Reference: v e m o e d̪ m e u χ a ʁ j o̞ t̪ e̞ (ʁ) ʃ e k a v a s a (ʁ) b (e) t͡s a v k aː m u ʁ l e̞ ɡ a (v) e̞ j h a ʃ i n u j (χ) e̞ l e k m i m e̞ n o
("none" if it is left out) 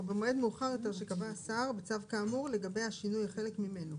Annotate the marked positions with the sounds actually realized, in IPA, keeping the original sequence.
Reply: ʁ, ʁ, e, b, χ

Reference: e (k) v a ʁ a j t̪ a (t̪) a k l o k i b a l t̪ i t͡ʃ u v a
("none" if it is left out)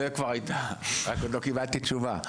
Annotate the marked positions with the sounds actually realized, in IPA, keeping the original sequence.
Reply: k, none

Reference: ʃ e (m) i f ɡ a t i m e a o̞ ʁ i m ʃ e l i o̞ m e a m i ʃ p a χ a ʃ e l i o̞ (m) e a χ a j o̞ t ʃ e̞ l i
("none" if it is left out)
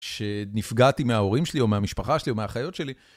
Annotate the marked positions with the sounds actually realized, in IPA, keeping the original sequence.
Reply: n, m

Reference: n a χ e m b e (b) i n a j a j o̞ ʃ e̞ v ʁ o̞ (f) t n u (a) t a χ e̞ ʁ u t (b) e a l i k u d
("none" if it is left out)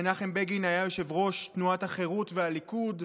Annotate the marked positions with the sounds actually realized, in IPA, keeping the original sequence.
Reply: ɡ, ʃ, a, v

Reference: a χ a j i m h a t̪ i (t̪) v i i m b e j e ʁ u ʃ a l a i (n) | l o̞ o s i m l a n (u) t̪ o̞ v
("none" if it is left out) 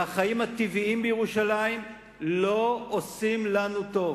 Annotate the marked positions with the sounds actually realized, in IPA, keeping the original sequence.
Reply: none, m, u

